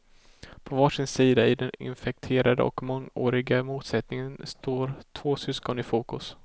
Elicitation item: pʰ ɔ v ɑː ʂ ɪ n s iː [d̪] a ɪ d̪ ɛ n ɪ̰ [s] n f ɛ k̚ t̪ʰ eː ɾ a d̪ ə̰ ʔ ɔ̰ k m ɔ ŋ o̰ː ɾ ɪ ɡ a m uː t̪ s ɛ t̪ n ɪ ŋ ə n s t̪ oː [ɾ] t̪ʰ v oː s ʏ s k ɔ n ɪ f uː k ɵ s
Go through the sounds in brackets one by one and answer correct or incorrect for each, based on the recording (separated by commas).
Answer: correct, incorrect, correct